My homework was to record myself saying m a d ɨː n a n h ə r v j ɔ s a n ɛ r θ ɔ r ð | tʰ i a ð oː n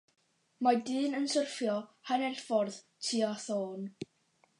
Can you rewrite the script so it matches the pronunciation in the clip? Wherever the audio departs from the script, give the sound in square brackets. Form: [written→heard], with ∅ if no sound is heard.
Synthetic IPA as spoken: m a d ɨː n [a→ə] n [h→s] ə r [v→f] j ɔ [s→h] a n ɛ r [θ→f] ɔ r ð | tʰ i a [ð→θ] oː n